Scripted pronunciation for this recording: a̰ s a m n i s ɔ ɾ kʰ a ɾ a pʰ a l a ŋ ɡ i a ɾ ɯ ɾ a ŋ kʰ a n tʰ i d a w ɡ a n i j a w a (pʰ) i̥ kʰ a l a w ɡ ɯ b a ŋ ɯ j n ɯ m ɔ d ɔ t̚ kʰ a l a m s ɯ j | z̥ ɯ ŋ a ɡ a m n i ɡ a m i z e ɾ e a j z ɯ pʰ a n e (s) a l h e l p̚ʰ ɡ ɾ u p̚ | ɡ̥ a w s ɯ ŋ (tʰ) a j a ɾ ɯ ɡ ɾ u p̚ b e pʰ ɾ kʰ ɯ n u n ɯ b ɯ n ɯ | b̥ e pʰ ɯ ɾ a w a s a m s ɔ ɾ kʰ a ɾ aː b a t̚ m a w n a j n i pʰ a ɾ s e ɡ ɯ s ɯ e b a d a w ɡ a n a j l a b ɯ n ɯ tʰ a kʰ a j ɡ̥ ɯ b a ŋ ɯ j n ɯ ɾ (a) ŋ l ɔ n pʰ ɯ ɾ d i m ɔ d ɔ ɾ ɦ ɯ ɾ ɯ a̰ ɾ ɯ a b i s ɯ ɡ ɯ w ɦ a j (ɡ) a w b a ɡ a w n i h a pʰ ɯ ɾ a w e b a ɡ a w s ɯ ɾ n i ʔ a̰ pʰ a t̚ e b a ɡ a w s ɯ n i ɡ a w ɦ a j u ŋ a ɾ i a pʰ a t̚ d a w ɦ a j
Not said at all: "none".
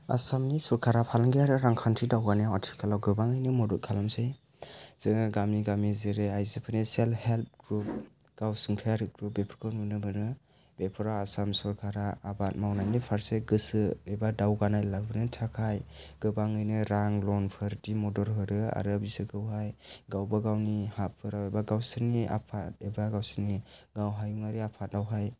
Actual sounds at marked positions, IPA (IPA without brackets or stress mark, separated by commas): tʰ, s, tʰ, a, ɡ